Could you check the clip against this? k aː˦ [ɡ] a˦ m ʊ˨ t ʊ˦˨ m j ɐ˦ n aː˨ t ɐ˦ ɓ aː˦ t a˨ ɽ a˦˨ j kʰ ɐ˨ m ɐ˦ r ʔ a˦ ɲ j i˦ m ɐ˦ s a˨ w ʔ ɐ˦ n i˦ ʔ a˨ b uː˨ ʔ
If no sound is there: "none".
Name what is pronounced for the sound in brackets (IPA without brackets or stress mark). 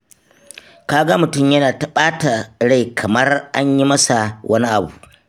ɡ